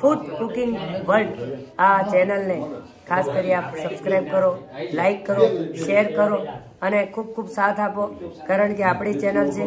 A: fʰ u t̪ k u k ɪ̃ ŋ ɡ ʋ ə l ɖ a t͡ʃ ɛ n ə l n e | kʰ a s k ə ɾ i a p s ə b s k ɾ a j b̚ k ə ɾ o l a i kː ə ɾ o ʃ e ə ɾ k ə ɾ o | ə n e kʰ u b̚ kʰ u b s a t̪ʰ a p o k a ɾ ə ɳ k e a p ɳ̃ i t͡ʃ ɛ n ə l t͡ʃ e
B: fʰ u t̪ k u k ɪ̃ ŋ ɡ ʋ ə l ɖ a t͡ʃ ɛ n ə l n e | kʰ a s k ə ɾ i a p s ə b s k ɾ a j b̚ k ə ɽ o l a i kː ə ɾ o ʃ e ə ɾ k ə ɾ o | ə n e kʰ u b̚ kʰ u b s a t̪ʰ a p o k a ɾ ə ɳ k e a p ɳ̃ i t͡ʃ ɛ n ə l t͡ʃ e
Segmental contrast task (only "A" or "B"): A